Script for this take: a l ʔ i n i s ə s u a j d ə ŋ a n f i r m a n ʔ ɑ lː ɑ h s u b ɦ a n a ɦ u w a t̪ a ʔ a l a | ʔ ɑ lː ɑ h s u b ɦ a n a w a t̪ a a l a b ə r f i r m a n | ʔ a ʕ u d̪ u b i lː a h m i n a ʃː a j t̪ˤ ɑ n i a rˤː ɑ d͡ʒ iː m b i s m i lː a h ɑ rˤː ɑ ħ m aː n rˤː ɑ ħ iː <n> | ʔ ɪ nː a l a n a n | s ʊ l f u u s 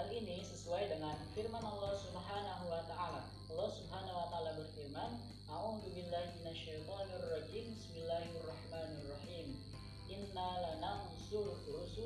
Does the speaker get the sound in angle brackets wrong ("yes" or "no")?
yes